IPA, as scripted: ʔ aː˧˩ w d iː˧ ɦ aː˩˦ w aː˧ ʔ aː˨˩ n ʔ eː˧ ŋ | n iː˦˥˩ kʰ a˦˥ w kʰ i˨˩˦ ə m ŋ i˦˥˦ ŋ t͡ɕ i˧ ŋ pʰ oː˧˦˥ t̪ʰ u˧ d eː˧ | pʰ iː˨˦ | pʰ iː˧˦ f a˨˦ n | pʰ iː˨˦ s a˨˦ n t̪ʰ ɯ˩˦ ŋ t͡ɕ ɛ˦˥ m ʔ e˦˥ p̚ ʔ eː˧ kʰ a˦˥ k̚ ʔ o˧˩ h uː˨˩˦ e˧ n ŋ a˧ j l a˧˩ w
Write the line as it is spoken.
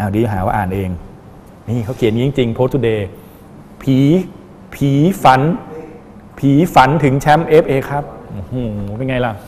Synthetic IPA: ʔ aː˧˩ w d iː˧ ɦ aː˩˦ w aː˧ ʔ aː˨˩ n ʔ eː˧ ŋ | n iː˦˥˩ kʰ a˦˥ w kʰ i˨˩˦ ə n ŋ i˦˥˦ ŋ t͡ɕ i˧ ŋ pʰ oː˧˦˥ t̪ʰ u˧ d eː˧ | pʰ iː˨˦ | pʰ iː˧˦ f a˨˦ n | pʰ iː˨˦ f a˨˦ n t̪ʰ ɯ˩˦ ŋ t͡ɕʰ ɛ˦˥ m ʔ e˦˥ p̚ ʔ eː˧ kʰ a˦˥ p̚ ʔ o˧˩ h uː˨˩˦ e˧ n ŋ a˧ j l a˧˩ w